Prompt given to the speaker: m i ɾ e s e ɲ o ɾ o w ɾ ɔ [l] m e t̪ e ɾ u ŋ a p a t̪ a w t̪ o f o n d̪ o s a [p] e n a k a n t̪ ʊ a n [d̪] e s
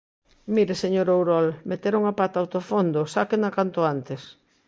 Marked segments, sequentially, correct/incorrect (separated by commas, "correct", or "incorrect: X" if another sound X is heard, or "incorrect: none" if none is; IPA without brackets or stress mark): correct, incorrect: k, incorrect: t̪